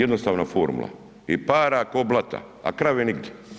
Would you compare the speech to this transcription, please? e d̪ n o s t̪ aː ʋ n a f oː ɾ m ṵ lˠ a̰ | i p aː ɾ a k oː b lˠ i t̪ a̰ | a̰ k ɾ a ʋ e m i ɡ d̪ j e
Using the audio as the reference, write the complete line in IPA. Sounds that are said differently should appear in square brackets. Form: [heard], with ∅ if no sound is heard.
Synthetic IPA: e d̪ n o s t̪ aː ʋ n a f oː ɾ m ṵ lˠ a̰ | i p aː ɾ a k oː b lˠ [a] t̪ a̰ | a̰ k ɾ a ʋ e [n] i ɡ d̪ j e